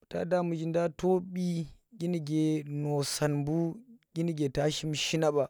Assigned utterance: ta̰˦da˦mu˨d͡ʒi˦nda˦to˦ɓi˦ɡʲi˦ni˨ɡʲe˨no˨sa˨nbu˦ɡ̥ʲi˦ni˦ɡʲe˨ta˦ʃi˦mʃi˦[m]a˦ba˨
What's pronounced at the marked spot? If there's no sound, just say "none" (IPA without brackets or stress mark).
n